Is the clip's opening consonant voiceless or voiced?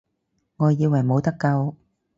voiced